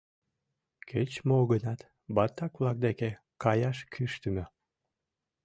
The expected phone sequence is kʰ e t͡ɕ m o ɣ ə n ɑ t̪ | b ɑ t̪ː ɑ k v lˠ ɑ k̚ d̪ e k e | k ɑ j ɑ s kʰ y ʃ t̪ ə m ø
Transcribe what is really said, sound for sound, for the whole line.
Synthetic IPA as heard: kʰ e t͡ɕ m o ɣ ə n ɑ t̪ | b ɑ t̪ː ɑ k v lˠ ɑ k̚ d̪ e k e | k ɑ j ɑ ʃ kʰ y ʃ t̪ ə m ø